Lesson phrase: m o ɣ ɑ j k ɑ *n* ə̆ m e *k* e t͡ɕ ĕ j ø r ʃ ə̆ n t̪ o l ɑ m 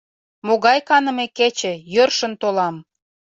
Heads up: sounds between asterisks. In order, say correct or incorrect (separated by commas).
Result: correct, correct